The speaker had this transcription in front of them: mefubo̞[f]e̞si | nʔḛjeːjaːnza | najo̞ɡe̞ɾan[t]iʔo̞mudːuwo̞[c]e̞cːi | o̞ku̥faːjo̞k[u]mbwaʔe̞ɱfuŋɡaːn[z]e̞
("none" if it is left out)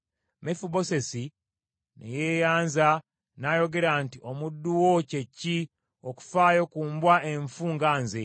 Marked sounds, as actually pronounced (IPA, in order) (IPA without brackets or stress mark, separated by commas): s, t, c, uː, z